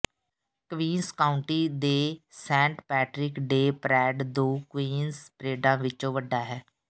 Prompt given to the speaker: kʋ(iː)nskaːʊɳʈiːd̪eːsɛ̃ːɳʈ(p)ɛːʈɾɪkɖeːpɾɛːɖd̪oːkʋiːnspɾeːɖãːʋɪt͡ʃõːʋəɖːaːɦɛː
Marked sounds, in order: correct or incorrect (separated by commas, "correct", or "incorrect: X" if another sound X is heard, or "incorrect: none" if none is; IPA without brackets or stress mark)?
correct, correct